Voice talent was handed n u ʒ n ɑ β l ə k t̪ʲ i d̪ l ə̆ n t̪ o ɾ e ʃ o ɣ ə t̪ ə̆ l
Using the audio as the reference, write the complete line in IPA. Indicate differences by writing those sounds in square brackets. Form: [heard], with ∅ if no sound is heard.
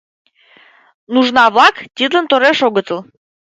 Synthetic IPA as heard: n u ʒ n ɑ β l [ɑ] k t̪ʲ i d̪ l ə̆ n t̪ o ɾ e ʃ o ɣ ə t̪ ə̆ l